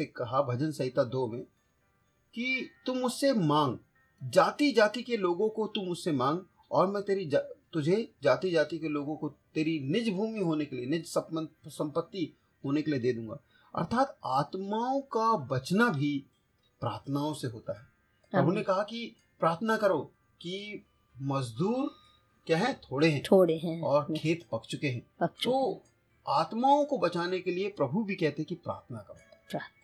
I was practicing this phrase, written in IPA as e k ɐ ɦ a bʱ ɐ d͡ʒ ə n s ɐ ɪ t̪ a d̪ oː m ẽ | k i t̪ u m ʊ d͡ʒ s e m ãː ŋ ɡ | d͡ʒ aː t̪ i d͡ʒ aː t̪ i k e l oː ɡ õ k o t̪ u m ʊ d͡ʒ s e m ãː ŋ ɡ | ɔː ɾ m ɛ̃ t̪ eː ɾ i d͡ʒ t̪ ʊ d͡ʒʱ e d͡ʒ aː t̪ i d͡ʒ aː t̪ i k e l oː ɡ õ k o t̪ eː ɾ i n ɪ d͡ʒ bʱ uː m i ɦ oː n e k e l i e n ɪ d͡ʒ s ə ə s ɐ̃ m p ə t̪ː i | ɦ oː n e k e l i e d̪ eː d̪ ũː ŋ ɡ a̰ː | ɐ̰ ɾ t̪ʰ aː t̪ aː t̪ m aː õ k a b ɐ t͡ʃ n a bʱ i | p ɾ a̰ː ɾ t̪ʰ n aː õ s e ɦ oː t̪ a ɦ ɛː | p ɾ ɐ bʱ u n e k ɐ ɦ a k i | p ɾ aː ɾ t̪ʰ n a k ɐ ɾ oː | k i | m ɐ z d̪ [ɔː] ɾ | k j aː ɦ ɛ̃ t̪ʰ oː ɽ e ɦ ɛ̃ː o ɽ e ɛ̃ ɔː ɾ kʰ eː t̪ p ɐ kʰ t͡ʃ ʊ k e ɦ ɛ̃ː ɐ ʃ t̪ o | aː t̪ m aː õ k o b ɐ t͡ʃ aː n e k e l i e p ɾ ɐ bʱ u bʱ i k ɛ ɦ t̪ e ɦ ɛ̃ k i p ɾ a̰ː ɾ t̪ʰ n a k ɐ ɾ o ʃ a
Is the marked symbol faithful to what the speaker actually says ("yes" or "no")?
no